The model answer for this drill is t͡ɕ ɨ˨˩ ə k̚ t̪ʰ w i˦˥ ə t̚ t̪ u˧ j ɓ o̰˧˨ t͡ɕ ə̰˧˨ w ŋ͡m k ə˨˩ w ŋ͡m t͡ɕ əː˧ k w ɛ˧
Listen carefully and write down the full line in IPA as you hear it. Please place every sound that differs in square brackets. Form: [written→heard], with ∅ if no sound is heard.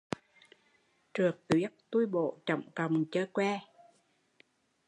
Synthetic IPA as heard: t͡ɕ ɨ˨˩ ə k̚ [t̪ʰ→t̪] w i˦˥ ə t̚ t̪ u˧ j ɓ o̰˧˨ t͡ɕ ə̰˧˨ w ŋ͡m k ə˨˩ w ŋ͡m t͡ɕ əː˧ k w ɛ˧

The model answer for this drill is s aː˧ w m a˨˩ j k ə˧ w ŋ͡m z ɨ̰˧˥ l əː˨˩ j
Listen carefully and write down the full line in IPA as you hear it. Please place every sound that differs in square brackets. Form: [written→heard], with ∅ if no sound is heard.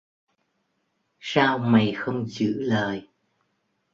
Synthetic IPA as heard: s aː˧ w m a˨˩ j [k→x] ə˧ w ŋ͡m z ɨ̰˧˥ l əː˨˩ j

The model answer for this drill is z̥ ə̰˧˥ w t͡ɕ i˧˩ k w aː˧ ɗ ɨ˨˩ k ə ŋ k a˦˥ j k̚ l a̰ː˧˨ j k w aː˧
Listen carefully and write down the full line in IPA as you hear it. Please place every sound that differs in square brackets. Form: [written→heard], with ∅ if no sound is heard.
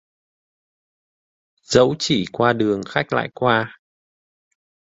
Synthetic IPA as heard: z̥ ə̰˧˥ w t͡ɕ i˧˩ k w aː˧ ɗ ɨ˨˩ [k→∅] ə ŋ [k→x] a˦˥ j k̚ l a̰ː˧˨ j k w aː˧

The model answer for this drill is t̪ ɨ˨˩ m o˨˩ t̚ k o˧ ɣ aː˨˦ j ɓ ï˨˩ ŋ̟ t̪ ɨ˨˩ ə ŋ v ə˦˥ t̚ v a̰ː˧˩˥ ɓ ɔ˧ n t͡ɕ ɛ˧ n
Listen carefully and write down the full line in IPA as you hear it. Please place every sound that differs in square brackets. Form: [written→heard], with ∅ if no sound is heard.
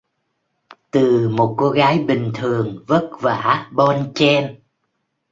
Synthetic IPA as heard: t̪ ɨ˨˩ m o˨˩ t̚ k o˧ ɣ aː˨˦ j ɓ ï˨˩ ŋ̟ [t̪→t̪ʰ] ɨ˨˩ ə ŋ v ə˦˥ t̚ v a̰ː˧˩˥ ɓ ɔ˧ n t͡ɕ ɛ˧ n

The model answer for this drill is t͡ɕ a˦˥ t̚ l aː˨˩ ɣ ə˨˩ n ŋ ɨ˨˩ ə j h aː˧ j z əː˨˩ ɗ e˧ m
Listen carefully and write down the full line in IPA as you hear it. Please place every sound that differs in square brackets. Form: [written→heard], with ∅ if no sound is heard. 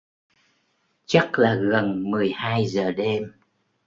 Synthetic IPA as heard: t͡ɕ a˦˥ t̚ l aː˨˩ ɣ ə˨˩ n [ŋ→m] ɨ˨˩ ə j h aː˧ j z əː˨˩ ɗ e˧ m

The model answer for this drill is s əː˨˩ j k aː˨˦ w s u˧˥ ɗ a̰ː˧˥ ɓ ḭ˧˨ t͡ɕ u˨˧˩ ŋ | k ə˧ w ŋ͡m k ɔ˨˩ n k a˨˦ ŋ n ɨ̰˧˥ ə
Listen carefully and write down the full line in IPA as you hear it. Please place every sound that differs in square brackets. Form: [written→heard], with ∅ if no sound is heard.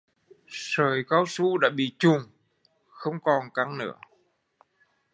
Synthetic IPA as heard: s əː˨˩ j k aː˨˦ w s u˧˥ ɗ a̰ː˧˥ ɓ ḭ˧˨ t͡ɕ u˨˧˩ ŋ | [k→x] ə˧ w ŋ͡m k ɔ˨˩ n k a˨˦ ŋ n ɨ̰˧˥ ə

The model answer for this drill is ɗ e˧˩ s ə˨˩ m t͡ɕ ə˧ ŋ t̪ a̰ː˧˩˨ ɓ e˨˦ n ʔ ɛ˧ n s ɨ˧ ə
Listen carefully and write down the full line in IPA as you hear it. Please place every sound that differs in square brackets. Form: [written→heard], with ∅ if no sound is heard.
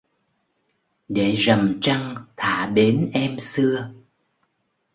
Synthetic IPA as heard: ɗ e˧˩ [s→z] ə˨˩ m t͡ɕ [ə˧→a˧] ŋ [t̪→t̪ʰ] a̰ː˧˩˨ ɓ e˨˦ n ʔ ɛ˧ [n→m] s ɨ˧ ə

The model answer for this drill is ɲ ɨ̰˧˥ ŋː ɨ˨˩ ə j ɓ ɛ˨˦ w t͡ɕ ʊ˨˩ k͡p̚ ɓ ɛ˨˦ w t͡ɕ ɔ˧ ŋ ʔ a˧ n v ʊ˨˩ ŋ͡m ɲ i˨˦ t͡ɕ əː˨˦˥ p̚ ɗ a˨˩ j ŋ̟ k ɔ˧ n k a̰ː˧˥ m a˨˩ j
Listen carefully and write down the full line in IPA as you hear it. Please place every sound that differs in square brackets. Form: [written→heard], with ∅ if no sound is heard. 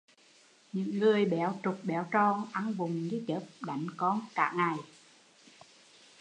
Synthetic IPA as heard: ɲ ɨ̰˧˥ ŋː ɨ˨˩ ə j ɓ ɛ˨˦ w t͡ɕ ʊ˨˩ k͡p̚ ɓ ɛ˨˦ w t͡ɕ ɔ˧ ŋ ʔ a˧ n v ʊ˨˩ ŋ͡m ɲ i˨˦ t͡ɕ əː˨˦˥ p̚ ɗ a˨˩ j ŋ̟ k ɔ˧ n k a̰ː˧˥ [m→ŋ] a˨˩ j

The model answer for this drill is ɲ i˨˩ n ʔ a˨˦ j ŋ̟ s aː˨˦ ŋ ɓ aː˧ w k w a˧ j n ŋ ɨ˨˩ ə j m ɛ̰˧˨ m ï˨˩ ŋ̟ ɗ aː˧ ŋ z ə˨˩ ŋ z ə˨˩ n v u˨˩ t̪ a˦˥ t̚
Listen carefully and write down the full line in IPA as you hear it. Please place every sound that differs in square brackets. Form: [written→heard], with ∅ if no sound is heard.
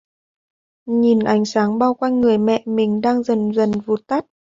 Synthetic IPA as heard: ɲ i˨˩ n ʔ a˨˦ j ŋ̟ s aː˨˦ ŋ ɓ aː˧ w k w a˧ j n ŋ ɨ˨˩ ə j m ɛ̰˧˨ m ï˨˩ ŋ̟ ɗ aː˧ ŋ z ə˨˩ [ŋ→n] z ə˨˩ n v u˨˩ t̪ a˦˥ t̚

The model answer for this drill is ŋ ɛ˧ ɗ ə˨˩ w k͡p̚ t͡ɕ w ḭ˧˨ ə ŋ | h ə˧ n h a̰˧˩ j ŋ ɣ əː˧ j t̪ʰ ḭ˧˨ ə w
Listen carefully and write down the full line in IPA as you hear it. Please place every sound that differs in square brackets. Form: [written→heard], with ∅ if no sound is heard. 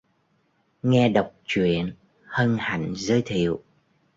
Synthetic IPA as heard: ŋ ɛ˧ ɗ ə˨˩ w k͡p̚ t͡ɕ w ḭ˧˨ ə [ŋ→n] | h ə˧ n h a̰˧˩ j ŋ [ɣ→z] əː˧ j t̪ʰ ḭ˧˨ ə w

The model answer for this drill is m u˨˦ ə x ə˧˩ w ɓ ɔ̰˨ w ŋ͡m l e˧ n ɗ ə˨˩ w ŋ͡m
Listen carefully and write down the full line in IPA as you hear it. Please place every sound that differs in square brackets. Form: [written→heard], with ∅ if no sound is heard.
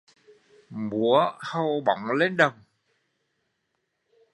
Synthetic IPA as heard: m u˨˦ ə [x→h] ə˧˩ w ɓ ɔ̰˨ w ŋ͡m l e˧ n ɗ ə˨˩ w ŋ͡m

